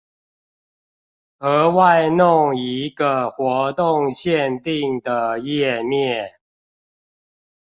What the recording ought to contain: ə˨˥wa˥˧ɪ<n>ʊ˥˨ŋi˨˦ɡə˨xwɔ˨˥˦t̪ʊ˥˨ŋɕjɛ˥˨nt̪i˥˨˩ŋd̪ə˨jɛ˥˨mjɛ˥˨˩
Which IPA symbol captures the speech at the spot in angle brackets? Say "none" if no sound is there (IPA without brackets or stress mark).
n